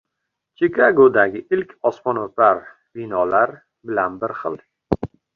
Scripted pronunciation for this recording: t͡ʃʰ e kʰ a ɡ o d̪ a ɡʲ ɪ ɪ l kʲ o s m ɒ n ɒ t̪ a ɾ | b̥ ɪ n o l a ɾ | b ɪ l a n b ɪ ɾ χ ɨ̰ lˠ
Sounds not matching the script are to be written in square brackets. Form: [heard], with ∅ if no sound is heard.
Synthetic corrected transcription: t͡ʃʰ e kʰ a ɡ o d̪ a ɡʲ ɪ ɪ l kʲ [ɒ] s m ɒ n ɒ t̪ a ɾ | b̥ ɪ n [ɒ] l a ɾ | b ɪ l a n b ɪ ɾ χ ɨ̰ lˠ